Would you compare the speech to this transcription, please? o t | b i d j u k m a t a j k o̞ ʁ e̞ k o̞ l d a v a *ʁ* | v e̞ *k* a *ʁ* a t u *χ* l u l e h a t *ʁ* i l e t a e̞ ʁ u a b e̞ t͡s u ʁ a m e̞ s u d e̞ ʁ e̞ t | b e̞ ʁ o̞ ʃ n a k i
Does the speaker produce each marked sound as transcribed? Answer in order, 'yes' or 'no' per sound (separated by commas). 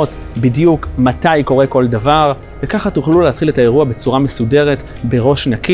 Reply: yes, yes, no, yes, no